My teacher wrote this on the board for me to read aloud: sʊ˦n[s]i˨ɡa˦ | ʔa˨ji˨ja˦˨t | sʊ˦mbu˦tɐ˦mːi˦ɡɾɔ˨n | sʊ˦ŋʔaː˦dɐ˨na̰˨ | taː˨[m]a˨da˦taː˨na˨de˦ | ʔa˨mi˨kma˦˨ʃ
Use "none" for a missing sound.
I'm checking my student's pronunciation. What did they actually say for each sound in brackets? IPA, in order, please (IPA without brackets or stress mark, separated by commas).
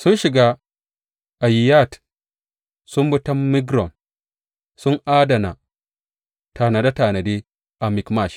ʃ, n